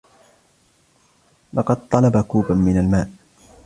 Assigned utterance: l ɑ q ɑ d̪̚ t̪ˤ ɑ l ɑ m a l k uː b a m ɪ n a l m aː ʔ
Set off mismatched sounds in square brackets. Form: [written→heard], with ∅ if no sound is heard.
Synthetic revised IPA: l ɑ q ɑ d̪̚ t̪ˤ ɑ l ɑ [m→b] a [l→∅] k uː b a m ɪ n a l m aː ʔ